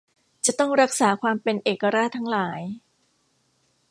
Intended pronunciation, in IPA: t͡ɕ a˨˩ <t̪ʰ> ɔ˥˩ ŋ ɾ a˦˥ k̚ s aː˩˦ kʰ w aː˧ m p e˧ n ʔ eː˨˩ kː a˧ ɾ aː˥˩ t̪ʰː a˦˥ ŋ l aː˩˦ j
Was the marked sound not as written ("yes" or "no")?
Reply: yes